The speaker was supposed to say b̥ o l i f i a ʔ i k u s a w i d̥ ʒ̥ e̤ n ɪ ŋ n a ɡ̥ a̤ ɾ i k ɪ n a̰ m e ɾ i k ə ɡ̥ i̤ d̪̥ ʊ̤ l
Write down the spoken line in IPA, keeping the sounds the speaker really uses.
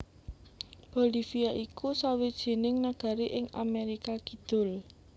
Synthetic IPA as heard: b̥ o l i f i a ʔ i k u s a w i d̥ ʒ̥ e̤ n ɪ ŋ n a ɡ̥ a̤ ɾ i ʔ ɪ ŋ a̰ m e ɾ i k a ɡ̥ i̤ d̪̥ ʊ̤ l